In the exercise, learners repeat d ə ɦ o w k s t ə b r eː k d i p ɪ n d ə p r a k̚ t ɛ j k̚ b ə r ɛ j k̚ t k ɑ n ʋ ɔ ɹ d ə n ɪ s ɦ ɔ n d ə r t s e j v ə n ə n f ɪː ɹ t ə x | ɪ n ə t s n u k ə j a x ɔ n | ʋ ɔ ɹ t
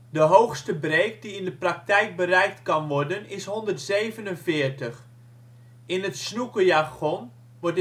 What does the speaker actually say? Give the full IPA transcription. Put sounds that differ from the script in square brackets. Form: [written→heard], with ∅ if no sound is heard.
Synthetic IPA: d ə ɦ o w [k→x] s t ə b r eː k d i [p→∅] ɪ n d ə p r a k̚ t ɛ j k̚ b ə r ɛ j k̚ t k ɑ n ʋ ɔ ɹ d ə n ɪ s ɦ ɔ n d ə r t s e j v ə n ə n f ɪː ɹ t ə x | ɪ n ə t s n u k ə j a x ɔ n | ʋ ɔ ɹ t

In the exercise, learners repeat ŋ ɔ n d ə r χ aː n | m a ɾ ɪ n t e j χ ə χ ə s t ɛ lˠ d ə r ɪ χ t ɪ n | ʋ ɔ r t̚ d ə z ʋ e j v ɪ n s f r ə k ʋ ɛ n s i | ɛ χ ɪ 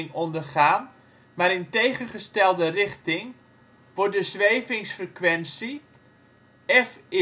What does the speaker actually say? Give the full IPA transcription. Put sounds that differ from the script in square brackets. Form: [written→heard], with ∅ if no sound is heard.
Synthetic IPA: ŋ ɔ n d ə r χ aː n | m a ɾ ɪ n t e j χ ə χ ə s t ɛ lˠ d ə r ɪ χ t ɪ [n→ŋ] | ʋ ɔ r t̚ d ə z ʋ e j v ɪ [n→ŋ] s f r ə k ʋ ɛ n s i | ɛ [χ→f] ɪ

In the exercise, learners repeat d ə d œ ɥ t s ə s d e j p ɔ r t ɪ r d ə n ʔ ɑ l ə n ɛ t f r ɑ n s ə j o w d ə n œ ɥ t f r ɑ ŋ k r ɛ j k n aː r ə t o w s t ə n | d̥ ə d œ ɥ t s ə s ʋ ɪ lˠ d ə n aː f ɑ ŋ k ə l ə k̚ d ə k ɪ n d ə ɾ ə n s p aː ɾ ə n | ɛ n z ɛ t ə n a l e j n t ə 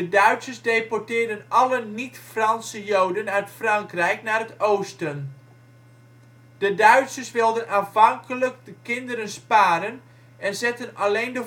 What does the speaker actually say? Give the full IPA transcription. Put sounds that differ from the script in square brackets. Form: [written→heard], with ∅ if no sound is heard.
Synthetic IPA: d ə d œ ɥ t s ə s d e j p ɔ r t [ɪ→ɪː] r d ə n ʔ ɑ l ə n [ɛ→i] t f r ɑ n s ə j o w d ə n œ ɥ t f r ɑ ŋ k r ɛ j k n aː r ə t o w s t ə n | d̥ ə d œ ɥ t s ə s ʋ ɪ lˠ d ə n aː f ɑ ŋ k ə l ə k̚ d ə k ɪ n d ə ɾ ə n s p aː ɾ ə n | ɛ n z ɛ t ə n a l e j n [t→d] ə

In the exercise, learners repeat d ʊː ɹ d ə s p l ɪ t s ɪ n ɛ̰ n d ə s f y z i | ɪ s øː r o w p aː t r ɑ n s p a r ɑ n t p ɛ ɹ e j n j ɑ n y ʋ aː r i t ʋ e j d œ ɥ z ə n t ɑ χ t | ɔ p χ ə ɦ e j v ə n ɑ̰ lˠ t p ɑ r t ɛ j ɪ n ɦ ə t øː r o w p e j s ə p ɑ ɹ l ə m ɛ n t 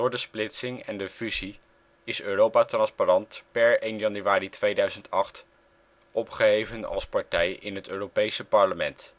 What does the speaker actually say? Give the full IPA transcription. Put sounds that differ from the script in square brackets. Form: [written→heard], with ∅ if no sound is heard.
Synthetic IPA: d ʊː ɹ d ə s p l ɪ t s ɪ [n→ŋ] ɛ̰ n d ə [s→∅] f y z i | ɪ s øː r o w p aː t r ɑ n s p a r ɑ n t p ɛ ɹ e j n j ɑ n y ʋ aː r i t ʋ e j d œ ɥ z ə n t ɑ χ t | ɔ p χ ə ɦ e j v ə n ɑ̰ lˠ [t→s] p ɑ [r→ɹ] t ɛ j ɪ n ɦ ə t øː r o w p e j s ə p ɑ ɹ l ə m ɛ n t

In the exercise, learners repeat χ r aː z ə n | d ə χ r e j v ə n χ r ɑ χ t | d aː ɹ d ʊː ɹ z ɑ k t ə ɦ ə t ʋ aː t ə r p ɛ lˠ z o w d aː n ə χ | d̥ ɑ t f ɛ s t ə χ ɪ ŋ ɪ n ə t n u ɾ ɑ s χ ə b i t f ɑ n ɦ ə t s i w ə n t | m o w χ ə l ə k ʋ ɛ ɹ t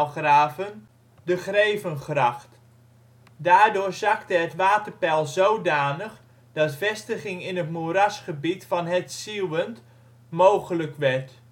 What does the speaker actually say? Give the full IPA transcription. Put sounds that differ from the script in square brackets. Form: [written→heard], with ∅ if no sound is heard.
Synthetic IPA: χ r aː [z→v] ə n | d ə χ r e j v ə n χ r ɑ χ t | d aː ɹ d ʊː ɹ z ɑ k t ə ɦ ə t ʋ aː t ə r p ɛ lˠ z o w d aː n ə χ | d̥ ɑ t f ɛ s t ə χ ɪ ŋ ɪ n ə t [n→m] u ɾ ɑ s χ ə b i t f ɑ n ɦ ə t s i w ə n t | m o w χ ə l ə k ʋ ɛ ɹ t

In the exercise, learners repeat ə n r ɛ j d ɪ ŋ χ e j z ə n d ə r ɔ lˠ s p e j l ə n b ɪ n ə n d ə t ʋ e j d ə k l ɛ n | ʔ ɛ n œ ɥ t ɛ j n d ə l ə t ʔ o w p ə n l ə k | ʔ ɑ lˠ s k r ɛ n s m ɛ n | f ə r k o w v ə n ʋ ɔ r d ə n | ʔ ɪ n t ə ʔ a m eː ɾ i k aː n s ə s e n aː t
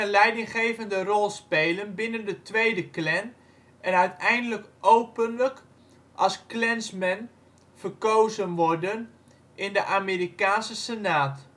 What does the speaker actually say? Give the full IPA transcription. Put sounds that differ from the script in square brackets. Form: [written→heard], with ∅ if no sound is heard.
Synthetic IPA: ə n [r→l] ɛ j d ɪ ŋ χ e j [z→v] ə n d ə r ɔ lˠ s p e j l ə n b ɪ n ə n d ə t ʋ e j d ə k l ɛ n | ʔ ɛ n œ ɥ t ɛ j n d ə l ə [t→k] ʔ o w p ə n l ə k | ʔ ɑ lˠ s k [r→l] ɛ n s m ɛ n | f ə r k o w [v→z] ə n ʋ ɔ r d ə n | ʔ ɪ n [t→d] ə ʔ a m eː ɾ i k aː n s ə s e n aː t

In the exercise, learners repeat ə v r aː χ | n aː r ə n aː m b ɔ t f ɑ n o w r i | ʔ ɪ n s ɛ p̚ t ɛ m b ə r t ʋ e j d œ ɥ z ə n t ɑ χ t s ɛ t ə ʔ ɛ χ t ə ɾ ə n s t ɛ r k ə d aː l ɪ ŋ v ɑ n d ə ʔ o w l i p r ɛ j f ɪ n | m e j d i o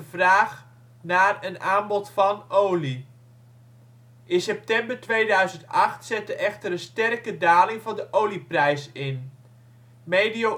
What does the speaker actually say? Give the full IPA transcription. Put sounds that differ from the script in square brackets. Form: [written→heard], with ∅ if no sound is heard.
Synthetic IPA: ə v r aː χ | n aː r ə n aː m b ɔ t f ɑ n o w [r→l] i | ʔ ɪ n s ɛ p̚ t ɛ m b ə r t ʋ e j d œ ɥ z ə n t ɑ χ t s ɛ t ə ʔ ɛ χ t ə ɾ ə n s t ɛ r k ə d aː l ɪ ŋ v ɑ n d ə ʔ o w l i p r ɛ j [f→s] ɪ n | m e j d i o

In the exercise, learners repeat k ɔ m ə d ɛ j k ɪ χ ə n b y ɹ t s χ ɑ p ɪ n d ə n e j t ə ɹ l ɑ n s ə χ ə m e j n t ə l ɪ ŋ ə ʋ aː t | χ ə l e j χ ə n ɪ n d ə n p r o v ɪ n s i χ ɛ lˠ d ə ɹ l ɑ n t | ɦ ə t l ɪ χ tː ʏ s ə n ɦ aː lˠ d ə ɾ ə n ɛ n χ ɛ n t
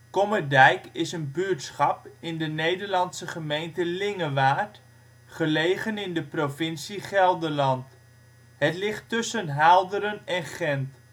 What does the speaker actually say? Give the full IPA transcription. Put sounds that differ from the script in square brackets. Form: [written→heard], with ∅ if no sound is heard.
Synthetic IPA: k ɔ m ə d ɛ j k ɪ [χ→s] ə n b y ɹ t s χ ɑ p ɪ n d ə n e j [t→d] ə ɹ l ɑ n s ə χ ə m e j n t ə l ɪ ŋ ə ʋ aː t | χ ə l e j χ ə n ɪ n d ə [n→∅] p r o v ɪ n s i χ ɛ lˠ d ə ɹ l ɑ n t | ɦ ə t l ɪ χ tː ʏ s ə n ɦ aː lˠ d ə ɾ ə n ɛ n χ ɛ n t

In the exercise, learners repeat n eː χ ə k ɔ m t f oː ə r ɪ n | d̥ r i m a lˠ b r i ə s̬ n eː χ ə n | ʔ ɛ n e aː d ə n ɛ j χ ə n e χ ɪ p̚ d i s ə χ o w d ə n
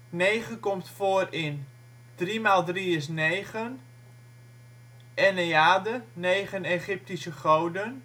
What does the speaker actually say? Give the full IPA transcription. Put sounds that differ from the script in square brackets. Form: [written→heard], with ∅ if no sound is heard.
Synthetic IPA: n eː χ ə k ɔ m t f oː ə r ɪ n | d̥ r i m a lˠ [b→d] r i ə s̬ n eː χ ə n | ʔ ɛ n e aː d ə n [ɛ→e] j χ ə n e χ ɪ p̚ [d→t] i s ə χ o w d ə n

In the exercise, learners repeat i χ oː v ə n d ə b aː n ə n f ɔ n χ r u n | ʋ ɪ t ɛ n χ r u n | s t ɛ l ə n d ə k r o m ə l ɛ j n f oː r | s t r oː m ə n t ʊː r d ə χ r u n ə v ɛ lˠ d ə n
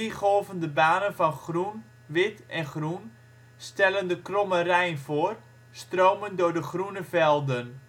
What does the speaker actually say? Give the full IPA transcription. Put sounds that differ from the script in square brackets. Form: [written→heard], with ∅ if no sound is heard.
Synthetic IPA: i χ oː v ə n d ə b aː n ə n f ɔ n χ r u n | ʋ ɪ t ɛ n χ r u n | s t ɛ l ə n d ə k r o m ə [l→r] ɛ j n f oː r | s t r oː m ə n [t→d] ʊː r d ə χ r u n ə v ɛ lˠ d ə n

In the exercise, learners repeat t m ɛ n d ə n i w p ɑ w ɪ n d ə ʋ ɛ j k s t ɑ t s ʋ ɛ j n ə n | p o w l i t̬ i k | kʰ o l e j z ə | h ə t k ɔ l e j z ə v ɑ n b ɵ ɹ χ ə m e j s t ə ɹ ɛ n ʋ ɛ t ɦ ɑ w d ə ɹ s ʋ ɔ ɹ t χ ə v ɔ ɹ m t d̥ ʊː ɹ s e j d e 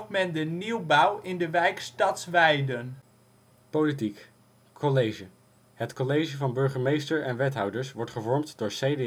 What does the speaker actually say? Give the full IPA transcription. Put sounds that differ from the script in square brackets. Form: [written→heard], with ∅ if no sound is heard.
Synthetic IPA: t m ɛ n d ə n i w [p→b] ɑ w ɪ n d ə ʋ ɛ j k s t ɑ t s ʋ ɛ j [n→d] ə n | p o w l i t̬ i k | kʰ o l e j [z→ʒ] ə | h ə t k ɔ l e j [z→ʒ] ə v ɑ n b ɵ ɹ χ ə m e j s t ə ɹ ɛ n ʋ ɛ t ɦ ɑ w d ə ɹ s ʋ ɔ ɹ t χ ə v ɔ ɹ m t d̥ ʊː ɹ s e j d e

